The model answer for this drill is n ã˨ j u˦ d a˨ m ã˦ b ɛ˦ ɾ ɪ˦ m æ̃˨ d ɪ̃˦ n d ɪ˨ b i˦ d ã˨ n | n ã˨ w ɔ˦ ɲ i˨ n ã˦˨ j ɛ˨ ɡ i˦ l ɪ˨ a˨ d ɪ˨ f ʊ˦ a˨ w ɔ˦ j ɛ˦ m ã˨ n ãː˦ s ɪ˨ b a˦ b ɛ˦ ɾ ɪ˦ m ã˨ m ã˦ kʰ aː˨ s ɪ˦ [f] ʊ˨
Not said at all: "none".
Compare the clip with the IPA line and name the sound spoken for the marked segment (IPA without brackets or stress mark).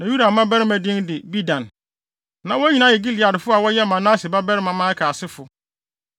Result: f